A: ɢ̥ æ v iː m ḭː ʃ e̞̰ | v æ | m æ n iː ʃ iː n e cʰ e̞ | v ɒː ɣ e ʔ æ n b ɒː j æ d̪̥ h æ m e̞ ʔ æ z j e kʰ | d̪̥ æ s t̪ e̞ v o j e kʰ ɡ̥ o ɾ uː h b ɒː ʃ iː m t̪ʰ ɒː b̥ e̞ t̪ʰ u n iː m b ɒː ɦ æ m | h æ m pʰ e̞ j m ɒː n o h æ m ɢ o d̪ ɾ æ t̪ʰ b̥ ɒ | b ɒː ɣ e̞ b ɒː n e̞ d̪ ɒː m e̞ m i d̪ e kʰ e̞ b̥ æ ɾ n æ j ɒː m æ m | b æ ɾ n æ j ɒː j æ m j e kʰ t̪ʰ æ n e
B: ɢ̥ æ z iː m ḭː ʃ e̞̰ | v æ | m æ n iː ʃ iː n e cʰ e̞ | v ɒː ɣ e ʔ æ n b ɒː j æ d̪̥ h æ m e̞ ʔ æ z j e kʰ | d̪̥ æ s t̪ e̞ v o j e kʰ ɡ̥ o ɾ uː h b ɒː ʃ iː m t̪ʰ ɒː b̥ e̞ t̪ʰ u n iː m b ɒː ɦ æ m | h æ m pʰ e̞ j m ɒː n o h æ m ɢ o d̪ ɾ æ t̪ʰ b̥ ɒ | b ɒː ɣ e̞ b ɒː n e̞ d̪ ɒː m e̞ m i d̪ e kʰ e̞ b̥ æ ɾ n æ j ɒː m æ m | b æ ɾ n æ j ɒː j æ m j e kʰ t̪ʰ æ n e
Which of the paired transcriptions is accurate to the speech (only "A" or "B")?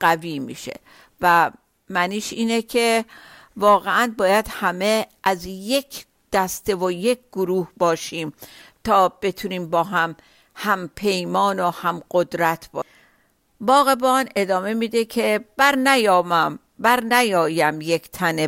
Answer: A